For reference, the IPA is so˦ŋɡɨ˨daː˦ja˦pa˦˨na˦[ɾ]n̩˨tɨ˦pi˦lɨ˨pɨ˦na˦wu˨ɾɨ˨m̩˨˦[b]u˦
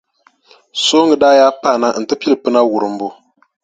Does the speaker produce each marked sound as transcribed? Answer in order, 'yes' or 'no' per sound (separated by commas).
no, yes